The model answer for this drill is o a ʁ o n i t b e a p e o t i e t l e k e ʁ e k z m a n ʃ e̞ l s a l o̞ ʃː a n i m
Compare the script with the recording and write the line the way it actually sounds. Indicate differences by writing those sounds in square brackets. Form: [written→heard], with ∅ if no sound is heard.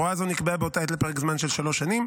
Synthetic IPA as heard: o a [ʁ→z] o n i [t→k] b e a [p→b] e o t [i→a] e t l e [k→p] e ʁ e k z m a n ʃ e̞ l [s→ʃ] a l o̞ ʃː a n i m